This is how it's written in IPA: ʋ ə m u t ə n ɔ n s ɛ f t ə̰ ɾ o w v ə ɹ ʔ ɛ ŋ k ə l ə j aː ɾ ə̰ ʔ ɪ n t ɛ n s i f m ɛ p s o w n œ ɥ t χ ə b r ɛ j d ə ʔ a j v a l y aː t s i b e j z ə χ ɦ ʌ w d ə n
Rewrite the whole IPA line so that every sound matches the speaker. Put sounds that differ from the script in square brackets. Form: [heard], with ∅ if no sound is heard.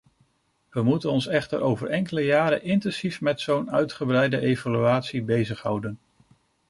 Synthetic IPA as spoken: ʋ ə m u t ə n ɔ n s ɛ [χ] t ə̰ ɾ o w v ə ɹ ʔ ɛ ŋ k ə l ə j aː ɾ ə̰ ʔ ɪ n t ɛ n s i f m ɛ [t] s o w n œ ɥ t χ ə b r ɛ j d ə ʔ [e] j v a l y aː t s i b e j z ə χ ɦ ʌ w d ə n

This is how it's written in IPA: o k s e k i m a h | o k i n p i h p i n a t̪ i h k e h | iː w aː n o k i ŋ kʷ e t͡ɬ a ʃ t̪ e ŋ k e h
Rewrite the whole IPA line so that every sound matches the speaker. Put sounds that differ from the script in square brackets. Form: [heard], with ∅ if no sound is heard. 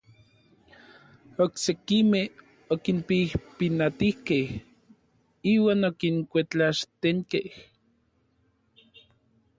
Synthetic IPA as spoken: o k s e k i m [e] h | o k i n p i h p i n a t̪ i h k e h | iː w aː n o k i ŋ kʷ e t͡ɬ a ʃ t̪ e ŋ k e h

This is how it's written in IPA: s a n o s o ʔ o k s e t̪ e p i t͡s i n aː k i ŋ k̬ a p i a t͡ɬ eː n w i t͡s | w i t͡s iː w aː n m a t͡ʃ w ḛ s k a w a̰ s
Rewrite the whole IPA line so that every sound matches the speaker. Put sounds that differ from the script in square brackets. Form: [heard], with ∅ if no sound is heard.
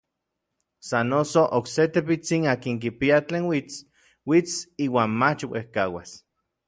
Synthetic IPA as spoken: s a n o s o ʔ o k s e t̪ e p i t͡s i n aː k i ŋ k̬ [i] p i a t͡ɬ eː n w i t͡s | w i t͡s iː w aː n m a t͡ʃ w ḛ [h] k a w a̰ s

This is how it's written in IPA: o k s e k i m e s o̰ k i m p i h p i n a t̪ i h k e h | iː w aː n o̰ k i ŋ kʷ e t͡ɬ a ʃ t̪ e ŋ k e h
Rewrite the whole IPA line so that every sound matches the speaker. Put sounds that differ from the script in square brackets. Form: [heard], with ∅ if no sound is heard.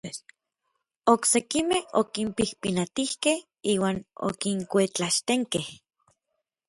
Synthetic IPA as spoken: o k s e k i m e [h] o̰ k i m p i h p i n a t̪ i h k e h | iː w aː n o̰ k i ŋ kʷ e t͡ɬ a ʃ t̪ e ŋ k e h

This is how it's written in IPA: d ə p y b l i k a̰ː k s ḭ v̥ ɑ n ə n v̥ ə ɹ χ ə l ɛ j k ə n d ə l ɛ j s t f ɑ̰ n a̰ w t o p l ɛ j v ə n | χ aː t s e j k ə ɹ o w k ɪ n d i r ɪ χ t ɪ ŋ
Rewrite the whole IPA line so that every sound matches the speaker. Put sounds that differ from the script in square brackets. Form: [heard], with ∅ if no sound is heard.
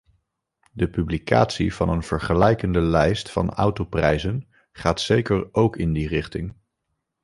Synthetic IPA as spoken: d ə p y b l i k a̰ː [t] s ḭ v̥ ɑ n ə n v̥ ə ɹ χ ə l ɛ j k ə n d ə l ɛ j s t f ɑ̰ n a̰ w t o p [r] ɛ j [z] ə n | χ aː t s e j k ə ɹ o w k ɪ n d i r ɪ χ t ɪ ŋ

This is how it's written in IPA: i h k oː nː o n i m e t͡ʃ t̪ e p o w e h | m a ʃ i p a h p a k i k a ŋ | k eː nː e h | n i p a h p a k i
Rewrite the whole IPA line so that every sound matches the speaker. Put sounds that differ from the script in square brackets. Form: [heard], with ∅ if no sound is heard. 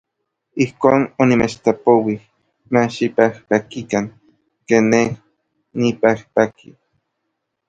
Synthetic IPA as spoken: i h k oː [n] o n i m e t͡ʃ t̪ [a] p o w [i] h | m a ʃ i p a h p a k i k a ŋ | k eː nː e h | n i p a h p a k i

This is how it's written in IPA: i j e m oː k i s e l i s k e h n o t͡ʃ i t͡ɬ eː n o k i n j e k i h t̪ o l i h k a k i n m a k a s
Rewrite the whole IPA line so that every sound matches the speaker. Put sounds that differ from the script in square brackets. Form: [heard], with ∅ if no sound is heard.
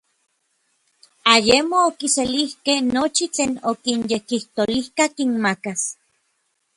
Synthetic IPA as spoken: [a] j e m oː k i s e l i [h] k e h n o t͡ʃ i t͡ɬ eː n o k i n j e k i h t̪ o l i h k a k i n m a k a s

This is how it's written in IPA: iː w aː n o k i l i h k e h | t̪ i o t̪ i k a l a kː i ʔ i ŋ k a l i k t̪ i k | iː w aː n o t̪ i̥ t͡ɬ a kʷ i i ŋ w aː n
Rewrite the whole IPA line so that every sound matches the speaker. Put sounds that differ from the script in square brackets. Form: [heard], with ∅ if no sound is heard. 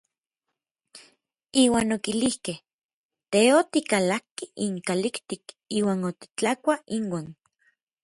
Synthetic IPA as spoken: iː w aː n o k i l i h k e h | t̪ [e] o t̪ i k a l a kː i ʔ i ŋ k a l i k t̪ i k | iː w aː n o t̪ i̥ t͡ɬ a kʷ [a] i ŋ w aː n

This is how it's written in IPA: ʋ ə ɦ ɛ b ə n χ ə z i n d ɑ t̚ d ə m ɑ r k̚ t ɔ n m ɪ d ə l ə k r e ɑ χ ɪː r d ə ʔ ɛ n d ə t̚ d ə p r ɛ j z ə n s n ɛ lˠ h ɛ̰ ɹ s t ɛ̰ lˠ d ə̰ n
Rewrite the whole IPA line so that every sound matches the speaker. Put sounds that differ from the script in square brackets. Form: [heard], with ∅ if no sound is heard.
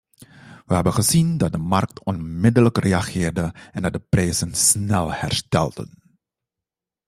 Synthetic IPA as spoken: ʋ ə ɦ ɛ b ə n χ ə z i n d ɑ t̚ d ə m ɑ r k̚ t ɔ n m ɪ d ə l ə k r e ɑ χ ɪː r d ə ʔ ɛ n d [ɑ] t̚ d ə p r ɛ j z ə n s n ɛ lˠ h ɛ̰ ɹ s t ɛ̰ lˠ d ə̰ n

